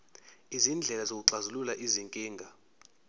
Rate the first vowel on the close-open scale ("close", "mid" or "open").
close